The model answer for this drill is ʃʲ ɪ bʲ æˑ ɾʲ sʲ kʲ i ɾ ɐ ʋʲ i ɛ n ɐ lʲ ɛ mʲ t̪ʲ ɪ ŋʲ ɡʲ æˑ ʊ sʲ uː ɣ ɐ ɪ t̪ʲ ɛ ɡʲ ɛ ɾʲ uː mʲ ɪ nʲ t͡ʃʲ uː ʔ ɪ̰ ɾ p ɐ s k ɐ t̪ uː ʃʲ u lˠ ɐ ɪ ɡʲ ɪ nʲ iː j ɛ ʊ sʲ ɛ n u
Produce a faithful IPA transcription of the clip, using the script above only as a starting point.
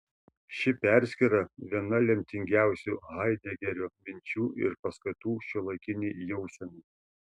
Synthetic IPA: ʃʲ ɪ pʲ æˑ ɾʲ sʲ kʲ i ɾ ɐ ʋʲ i ɛ n ɐ lʲ ɛ mʲ t̪ʲ ɪ ŋʲ ɡʲ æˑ ʊ sʲ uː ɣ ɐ ɪ d̪ʲ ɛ ɡʲ ɛ ɾʲ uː mʲ ɪ nʲ t͡ʃʲ uː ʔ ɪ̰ ɾ p ɐ s k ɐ t̪ uː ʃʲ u lˠ ɐ ɪ kʲ ɪ nʲ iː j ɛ ʊ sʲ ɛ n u